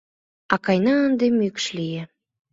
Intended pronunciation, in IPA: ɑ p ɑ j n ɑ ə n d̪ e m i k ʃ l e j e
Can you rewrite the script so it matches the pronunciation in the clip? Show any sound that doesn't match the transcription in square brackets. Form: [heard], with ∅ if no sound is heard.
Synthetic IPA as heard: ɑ [k] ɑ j n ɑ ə n d̪ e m [y] k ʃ l [i] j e

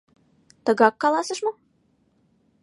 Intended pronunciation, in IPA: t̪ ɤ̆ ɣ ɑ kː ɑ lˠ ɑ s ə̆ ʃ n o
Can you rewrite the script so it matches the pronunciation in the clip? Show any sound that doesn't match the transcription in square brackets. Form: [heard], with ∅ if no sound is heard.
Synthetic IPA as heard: t̪ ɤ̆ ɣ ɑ kː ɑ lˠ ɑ s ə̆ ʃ [m] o

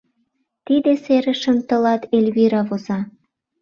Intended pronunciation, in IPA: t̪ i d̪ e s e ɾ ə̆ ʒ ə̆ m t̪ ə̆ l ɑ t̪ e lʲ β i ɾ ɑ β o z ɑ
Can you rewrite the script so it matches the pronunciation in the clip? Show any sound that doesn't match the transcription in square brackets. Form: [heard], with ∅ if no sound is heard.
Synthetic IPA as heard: t̪ i d̪ e s e ɾ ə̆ [ʃ] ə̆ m t̪ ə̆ l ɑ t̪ e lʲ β i ɾ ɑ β o z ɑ

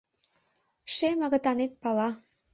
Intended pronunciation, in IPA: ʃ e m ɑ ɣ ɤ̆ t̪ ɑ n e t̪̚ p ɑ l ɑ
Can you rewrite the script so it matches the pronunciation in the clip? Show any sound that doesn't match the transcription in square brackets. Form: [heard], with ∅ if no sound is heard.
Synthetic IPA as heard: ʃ e m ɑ ɣ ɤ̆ t̪ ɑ n e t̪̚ p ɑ l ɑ

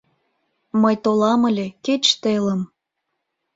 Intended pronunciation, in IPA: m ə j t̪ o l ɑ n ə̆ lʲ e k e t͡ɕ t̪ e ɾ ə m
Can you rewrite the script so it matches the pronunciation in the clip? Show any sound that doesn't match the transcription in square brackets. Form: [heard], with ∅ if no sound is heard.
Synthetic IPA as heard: m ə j t̪ o l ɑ [m] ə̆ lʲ e k e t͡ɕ t̪ e [l] ə m

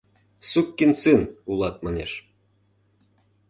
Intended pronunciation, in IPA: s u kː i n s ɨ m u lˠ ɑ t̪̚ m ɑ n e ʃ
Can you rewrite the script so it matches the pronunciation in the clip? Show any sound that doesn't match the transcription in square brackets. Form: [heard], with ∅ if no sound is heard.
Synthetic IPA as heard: s u kː i n s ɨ [n] u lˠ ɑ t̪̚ m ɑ n e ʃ

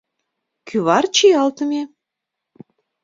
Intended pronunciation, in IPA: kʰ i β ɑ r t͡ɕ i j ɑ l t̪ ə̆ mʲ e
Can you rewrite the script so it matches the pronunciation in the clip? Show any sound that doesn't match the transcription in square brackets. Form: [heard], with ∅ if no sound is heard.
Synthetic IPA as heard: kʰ [y] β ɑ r t͡ɕ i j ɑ l t̪ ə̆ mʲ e

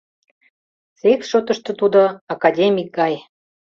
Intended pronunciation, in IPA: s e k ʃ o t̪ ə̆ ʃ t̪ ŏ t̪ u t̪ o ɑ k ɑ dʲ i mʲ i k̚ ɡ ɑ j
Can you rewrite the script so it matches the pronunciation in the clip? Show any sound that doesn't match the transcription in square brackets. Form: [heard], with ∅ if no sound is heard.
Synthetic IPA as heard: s e k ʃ o t̪ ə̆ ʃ t̪ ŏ t̪ u [d̪] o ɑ k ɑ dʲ [e] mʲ i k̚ ɡ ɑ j

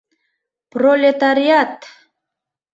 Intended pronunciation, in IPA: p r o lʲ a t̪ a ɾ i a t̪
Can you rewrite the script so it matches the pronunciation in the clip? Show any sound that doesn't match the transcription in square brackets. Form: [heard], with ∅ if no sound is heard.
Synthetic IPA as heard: p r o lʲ [e] t̪ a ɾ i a t̪

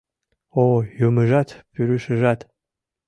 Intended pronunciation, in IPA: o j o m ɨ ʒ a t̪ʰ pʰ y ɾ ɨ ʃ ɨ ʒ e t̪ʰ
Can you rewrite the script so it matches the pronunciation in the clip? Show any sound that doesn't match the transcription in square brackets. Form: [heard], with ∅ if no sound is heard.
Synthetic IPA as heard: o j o m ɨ ʒ a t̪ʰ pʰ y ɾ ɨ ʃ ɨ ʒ [a] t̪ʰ

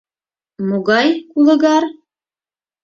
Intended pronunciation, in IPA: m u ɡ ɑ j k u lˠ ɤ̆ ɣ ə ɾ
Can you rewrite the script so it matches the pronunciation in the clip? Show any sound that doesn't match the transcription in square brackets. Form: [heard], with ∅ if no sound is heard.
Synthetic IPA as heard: m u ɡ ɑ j k u lˠ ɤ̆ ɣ [ɑ] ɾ

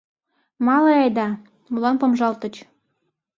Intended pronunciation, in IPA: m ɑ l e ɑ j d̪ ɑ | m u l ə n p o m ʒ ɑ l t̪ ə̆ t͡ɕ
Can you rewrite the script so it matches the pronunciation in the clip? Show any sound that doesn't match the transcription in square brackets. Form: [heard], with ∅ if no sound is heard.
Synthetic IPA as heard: m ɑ l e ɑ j d̪ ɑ | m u l [ɑ] n p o m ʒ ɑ l t̪ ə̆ t͡ɕ

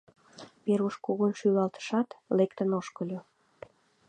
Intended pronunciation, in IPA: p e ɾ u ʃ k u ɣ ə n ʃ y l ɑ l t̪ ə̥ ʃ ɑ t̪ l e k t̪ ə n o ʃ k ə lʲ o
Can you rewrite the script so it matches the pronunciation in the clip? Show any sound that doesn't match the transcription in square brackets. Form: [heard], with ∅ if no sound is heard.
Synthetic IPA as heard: p e ɾ u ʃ k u ɣ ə n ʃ y l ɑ l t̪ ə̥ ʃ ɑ t̪ l e k t̪ ə n o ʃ k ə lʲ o

